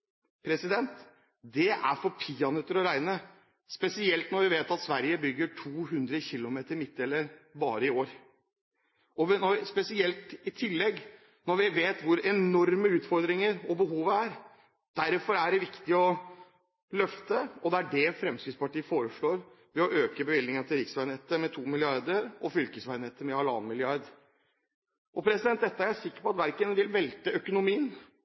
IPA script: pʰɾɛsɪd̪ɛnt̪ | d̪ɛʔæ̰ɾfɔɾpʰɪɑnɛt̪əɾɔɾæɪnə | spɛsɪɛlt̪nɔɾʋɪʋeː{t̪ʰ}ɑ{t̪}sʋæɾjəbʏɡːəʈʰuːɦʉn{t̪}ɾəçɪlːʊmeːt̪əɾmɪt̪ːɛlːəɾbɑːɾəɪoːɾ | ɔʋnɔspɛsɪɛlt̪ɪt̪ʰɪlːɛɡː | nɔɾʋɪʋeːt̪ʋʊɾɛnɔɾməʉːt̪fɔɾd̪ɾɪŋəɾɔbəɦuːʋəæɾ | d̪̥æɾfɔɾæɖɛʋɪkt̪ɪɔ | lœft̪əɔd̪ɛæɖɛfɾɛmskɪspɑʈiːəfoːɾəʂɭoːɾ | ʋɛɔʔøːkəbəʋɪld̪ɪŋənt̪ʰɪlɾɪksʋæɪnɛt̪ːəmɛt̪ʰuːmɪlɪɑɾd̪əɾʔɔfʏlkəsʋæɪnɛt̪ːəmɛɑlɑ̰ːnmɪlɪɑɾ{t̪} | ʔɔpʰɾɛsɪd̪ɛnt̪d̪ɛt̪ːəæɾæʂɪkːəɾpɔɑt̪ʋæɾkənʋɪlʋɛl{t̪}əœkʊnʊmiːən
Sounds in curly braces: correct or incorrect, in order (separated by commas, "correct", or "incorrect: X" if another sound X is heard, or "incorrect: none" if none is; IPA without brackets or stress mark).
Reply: incorrect: t̪, correct, incorrect: d̪, incorrect: d̪, correct